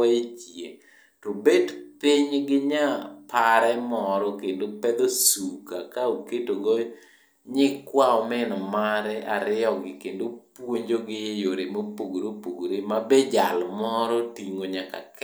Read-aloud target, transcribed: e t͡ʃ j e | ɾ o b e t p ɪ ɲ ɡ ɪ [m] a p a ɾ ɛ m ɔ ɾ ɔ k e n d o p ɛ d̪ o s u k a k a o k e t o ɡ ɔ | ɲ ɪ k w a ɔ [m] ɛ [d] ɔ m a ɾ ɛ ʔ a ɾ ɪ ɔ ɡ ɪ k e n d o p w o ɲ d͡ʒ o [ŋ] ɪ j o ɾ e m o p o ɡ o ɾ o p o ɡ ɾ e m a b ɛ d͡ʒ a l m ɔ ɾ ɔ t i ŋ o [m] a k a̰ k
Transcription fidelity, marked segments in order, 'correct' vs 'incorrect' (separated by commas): incorrect, correct, incorrect, incorrect, incorrect